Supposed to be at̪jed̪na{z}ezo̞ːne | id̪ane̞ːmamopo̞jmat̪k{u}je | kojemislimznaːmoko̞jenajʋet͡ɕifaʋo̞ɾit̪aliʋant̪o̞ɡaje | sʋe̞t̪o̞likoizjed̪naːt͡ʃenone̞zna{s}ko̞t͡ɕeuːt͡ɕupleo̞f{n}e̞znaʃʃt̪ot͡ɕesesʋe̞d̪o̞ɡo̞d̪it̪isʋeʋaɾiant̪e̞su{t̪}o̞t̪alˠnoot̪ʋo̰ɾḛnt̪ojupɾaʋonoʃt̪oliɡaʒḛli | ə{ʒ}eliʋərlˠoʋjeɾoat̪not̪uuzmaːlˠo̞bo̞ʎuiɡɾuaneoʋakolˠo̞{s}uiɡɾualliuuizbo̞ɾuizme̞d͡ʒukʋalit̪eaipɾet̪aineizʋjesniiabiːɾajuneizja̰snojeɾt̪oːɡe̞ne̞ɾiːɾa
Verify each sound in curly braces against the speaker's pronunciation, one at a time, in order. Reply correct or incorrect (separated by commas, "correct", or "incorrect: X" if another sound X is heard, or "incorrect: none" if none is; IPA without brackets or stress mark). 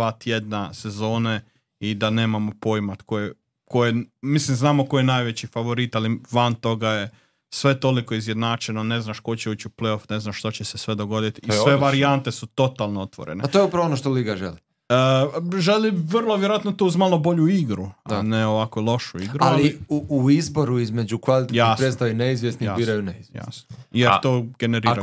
incorrect: s, incorrect: o, incorrect: ʃ, correct, correct, correct, incorrect: ʃ